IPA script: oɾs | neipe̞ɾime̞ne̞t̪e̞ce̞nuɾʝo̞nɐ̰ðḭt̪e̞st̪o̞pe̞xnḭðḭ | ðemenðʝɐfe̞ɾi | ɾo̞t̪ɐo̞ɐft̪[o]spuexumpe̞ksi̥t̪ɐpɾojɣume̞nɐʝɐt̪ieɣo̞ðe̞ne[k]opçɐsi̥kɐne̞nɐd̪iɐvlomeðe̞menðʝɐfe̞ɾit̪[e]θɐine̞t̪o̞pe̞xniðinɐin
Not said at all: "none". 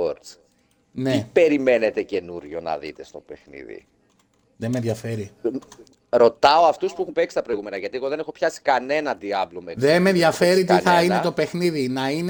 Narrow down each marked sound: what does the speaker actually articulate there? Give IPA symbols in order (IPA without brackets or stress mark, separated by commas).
u, x, i